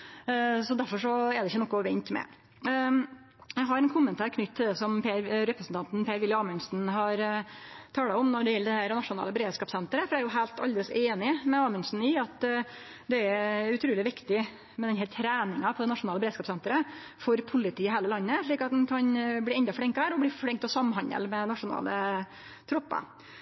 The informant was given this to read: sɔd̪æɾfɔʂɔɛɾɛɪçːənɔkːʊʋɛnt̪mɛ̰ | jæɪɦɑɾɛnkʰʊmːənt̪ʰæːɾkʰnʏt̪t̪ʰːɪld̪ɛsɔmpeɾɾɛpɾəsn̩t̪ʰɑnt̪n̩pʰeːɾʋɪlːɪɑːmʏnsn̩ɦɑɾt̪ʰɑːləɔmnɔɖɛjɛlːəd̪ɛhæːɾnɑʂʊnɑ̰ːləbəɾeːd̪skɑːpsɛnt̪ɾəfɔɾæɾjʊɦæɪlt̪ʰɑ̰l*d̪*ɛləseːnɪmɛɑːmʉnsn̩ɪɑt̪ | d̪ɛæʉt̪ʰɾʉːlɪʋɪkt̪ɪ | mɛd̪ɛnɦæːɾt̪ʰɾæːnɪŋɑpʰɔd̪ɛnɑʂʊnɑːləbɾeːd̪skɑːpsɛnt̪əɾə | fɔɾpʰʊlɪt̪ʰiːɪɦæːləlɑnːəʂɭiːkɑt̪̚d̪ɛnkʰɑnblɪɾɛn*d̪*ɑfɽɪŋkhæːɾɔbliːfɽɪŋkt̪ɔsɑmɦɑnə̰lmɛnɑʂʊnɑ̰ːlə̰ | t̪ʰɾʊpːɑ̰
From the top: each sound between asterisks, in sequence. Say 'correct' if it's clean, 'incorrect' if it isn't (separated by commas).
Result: correct, correct